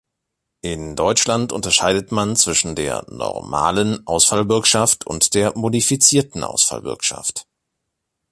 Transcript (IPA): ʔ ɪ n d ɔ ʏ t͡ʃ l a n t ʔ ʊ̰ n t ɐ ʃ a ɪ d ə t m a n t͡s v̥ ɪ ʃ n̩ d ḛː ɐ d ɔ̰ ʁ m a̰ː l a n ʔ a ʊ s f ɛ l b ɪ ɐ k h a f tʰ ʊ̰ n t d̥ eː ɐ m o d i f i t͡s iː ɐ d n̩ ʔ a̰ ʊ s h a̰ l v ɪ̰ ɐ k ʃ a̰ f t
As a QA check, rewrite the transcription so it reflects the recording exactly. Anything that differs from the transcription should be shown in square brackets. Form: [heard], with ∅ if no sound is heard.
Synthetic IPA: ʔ ɪ n d ɔ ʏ t͡ʃ l a n t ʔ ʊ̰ n t ɐ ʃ a ɪ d ə t m a n t͡s v̥ ɪ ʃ n̩ d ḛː ɐ [n] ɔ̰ ʁ m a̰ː l [ə] n ʔ a ʊ s f [a] l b ɪ ɐ k [ʃ] a f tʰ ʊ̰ n t d̥ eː ɐ m o d i f i t͡s iː ɐ [t] n̩ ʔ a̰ ʊ s [f] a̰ l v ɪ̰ ɐ k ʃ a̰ f t